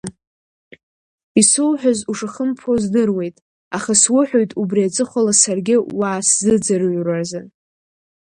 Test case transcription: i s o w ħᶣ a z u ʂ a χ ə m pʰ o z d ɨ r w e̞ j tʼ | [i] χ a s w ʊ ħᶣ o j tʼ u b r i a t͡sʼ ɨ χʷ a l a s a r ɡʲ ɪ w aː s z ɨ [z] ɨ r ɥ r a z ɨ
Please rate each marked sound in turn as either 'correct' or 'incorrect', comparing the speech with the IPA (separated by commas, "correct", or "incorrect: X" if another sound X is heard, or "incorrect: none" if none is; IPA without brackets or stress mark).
incorrect: a, incorrect: d͡z